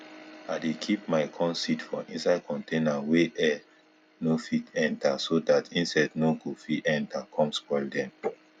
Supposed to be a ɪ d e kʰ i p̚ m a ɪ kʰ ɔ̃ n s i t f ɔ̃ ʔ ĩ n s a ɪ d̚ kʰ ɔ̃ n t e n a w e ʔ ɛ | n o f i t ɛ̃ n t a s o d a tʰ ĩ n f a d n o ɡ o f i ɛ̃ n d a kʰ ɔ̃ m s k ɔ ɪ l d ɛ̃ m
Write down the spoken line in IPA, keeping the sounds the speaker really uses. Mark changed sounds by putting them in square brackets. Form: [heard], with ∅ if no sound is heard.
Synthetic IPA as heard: a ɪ d e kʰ i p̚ m a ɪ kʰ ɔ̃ n s i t f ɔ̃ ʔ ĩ n s a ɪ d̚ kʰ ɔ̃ n t e n a w e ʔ ɛ | n o f i t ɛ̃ n t a s o d a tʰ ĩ n [s] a d n o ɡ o f i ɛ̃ n [t] a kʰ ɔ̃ m s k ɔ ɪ l d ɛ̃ m